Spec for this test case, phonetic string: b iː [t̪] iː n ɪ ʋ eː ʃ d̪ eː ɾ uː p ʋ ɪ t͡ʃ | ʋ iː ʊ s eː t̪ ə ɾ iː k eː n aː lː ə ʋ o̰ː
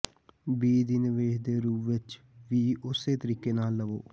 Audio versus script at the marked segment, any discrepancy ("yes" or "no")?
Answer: yes